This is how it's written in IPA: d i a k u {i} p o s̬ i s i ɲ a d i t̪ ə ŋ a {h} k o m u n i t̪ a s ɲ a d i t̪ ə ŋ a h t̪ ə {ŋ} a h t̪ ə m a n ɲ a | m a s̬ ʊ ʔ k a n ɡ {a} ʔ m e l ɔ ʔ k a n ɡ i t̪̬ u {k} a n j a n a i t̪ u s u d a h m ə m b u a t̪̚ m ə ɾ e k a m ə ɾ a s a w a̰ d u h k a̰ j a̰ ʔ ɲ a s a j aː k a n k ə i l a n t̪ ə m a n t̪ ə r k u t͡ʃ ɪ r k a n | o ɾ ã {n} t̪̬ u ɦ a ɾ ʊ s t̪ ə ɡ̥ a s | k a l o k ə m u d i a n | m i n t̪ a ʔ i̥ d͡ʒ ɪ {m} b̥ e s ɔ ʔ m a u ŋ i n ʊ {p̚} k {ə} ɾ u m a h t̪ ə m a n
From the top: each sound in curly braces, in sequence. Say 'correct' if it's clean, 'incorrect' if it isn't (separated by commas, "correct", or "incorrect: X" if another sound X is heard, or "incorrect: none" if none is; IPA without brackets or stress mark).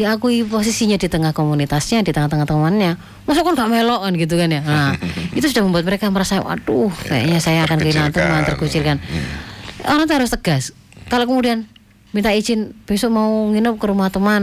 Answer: correct, correct, correct, correct, correct, incorrect: ŋ, incorrect: n, correct, correct